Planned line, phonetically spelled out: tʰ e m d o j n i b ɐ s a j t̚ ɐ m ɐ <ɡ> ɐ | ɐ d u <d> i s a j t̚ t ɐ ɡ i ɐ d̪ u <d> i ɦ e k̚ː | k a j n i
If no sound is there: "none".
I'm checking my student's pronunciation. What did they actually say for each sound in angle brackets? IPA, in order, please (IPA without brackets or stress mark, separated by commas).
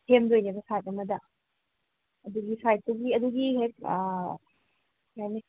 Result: d, ɡ, ɡ